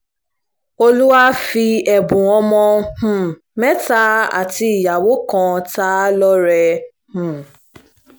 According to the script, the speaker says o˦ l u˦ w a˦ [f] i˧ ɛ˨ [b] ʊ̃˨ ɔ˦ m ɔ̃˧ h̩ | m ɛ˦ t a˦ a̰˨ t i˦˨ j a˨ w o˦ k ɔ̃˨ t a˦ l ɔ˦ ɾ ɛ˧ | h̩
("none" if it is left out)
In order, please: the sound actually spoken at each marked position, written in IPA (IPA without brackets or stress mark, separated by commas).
f, b